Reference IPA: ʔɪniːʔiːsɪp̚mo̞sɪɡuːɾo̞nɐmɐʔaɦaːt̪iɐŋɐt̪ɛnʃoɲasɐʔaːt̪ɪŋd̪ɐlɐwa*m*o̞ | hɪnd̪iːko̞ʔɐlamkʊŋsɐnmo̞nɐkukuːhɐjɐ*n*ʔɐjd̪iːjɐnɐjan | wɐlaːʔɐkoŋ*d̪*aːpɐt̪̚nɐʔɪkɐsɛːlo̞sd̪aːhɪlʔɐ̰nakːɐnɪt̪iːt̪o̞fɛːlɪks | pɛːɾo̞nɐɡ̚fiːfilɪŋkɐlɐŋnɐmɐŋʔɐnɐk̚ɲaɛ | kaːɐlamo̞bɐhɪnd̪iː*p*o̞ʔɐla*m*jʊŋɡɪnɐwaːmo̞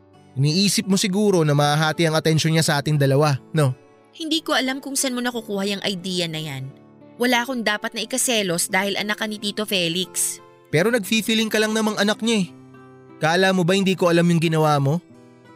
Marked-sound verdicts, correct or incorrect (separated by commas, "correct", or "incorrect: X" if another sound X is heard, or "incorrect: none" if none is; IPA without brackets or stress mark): incorrect: n, incorrect: ŋ, correct, incorrect: k, correct